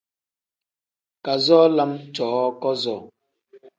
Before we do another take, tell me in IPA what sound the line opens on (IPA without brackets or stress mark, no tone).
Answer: k